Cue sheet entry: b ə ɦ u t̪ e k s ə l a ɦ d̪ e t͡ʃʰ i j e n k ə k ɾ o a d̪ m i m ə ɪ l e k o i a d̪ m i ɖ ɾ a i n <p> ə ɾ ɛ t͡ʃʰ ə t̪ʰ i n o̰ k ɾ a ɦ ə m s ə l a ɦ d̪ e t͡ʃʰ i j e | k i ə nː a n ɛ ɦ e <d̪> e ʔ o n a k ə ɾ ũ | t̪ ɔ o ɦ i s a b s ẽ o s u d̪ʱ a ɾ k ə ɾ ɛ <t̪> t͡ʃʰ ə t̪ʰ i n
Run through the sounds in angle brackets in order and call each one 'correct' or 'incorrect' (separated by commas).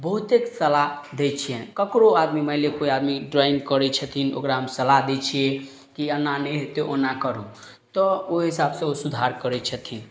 incorrect, incorrect, incorrect